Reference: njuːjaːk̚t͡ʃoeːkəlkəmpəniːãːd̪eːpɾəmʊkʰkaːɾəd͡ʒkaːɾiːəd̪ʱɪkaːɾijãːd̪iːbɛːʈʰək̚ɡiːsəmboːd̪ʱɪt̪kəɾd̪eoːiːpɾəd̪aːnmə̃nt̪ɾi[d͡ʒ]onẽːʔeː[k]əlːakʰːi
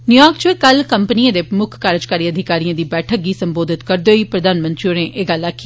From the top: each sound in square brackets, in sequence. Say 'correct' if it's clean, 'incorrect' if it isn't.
incorrect: none, incorrect: ɡ

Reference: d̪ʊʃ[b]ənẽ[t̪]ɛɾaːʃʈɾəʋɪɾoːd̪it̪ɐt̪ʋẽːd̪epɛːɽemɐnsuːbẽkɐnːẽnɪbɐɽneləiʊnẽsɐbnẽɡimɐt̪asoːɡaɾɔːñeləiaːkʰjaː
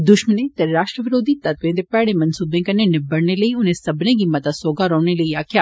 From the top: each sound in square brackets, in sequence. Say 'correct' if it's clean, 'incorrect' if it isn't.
incorrect: m, correct

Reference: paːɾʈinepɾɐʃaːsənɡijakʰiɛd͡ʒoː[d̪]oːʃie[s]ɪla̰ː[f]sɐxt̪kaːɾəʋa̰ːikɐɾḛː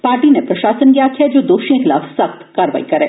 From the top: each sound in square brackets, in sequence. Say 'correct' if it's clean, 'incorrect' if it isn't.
correct, incorrect: x, correct

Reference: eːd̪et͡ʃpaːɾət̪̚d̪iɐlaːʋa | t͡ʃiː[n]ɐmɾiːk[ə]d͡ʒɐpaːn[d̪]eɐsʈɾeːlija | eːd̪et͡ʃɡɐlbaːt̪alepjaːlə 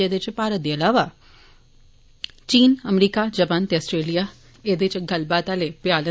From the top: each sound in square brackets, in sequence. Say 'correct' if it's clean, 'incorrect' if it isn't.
correct, incorrect: a, incorrect: t̪

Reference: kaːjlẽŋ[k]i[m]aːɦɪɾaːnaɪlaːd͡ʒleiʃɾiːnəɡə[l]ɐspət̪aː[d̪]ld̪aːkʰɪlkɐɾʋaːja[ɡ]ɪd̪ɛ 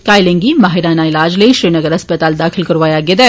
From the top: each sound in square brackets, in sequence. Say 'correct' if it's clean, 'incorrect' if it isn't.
incorrect: ɡ, correct, incorrect: ɾ, incorrect: none, correct

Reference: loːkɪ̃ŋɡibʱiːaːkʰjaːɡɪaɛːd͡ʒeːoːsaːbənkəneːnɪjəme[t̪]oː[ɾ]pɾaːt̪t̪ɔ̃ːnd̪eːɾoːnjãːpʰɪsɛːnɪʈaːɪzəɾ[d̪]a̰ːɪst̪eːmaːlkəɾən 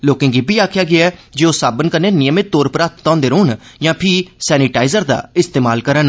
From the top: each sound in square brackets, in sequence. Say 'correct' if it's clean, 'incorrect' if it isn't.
correct, correct, correct

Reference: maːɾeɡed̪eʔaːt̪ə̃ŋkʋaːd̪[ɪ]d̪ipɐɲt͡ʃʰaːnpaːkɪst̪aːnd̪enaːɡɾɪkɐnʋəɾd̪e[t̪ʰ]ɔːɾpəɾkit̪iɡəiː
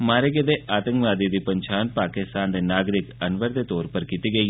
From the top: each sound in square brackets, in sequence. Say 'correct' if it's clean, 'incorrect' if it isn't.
incorrect: i, incorrect: t̪

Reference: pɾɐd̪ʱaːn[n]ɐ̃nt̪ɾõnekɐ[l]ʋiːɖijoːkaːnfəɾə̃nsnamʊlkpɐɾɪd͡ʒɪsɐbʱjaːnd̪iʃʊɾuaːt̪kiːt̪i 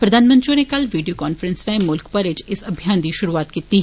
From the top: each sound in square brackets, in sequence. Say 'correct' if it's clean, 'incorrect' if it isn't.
incorrect: m, correct

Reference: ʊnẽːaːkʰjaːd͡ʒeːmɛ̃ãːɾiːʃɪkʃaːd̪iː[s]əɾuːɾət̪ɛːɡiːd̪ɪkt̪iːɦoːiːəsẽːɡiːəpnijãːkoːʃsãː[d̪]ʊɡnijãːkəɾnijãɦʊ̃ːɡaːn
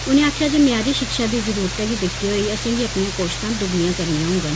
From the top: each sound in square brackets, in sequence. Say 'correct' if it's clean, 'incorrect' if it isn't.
incorrect: z, correct

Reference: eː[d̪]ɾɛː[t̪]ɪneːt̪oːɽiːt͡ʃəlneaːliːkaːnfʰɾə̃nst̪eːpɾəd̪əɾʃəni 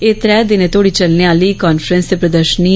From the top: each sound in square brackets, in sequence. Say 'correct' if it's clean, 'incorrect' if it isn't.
incorrect: t̪, incorrect: d̪

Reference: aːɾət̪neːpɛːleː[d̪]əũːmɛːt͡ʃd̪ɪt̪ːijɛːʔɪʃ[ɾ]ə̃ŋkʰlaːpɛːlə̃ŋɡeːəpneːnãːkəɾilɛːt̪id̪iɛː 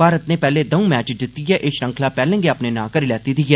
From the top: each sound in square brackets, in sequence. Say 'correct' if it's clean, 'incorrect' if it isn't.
correct, correct

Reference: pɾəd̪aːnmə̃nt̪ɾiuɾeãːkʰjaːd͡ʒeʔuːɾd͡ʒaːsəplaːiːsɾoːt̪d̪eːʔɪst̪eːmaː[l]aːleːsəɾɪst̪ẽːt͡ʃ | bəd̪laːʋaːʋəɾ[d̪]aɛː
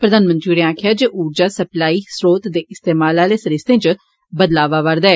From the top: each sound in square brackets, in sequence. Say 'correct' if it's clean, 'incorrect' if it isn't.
correct, correct

